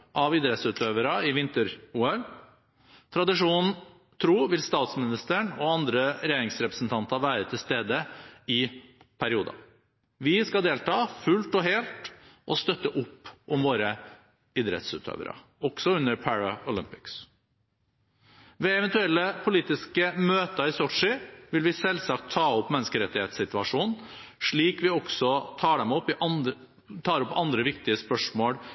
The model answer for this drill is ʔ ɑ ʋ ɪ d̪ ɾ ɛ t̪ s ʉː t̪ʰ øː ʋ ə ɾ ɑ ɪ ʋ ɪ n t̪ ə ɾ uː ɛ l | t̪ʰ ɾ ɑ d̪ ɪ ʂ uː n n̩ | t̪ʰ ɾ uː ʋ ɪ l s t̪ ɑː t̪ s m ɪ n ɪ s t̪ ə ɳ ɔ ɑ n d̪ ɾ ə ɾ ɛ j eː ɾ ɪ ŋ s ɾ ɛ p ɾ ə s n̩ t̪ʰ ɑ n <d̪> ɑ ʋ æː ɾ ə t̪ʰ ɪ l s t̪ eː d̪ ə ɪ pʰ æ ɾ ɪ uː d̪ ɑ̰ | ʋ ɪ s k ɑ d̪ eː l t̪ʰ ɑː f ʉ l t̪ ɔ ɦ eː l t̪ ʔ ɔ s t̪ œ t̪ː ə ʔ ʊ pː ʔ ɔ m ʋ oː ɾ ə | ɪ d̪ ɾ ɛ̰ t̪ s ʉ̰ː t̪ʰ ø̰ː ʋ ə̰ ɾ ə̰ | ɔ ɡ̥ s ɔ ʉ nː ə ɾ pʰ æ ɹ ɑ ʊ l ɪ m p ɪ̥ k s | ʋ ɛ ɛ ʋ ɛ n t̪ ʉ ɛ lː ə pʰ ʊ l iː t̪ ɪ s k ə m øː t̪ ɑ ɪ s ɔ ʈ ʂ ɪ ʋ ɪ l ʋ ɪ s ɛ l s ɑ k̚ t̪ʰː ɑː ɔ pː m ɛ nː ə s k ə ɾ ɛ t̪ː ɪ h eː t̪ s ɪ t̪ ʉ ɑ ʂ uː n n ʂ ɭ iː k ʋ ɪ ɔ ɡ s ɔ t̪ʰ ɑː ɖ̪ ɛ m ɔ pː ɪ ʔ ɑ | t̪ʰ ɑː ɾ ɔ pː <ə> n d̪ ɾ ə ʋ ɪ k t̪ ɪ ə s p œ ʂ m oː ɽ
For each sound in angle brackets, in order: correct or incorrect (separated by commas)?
incorrect, incorrect